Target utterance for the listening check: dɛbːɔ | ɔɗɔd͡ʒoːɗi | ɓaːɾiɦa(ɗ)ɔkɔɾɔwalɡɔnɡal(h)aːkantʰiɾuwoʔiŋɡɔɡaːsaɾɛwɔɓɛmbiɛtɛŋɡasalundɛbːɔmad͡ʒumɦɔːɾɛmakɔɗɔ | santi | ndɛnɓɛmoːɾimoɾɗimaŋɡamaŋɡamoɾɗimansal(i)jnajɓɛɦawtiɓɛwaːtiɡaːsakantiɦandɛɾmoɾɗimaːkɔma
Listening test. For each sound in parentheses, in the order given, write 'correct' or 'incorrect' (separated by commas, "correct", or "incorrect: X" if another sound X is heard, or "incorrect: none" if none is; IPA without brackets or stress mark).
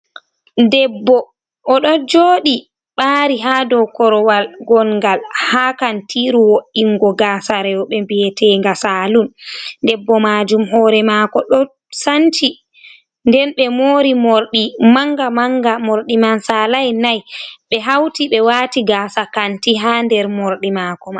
incorrect: d, correct, incorrect: a